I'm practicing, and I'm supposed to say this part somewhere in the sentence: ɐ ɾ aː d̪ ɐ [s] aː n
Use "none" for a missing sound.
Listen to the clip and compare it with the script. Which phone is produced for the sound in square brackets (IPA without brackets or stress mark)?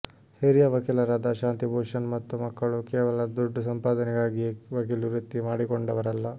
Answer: ʃ